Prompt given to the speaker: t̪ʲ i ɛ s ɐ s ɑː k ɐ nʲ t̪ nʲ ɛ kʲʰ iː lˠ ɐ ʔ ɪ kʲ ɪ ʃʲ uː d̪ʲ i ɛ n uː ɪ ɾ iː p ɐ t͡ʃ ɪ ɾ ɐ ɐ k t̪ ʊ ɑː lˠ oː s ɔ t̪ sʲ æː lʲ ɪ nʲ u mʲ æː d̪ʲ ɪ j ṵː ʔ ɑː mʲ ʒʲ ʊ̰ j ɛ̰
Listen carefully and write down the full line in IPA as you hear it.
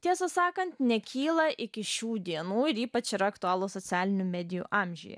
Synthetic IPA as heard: t̪ʲ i ɛ s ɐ s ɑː k ɐ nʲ t̪ nʲ ɛ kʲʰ iː lˠ ɐ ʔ ɪ kʲ ɪ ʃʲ uː d̪ʲ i ɛ n uː ɪ ɾ iː p ɐ t͡ʃ ɪ ɾ ɐ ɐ k t̪ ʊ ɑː lˠ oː s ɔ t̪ sʲ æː lʲ ɪ nʲ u mʲ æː d̪ʲ ɪ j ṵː ʔ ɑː mʲ ʒʲ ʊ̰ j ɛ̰